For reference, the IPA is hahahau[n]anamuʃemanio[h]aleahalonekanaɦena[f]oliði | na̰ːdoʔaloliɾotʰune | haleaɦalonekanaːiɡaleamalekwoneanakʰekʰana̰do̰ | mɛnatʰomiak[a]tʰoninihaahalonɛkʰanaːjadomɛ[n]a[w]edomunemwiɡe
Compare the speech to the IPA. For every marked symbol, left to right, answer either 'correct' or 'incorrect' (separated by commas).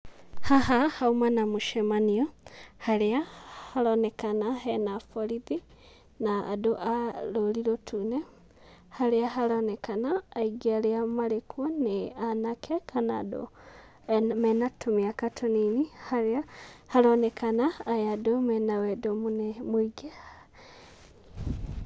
incorrect, correct, correct, correct, correct, correct